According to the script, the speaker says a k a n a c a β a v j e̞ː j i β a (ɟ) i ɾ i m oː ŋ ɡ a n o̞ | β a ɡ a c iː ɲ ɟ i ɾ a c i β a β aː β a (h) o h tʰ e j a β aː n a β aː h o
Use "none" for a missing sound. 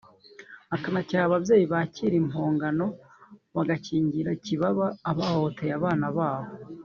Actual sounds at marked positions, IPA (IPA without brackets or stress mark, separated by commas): c, h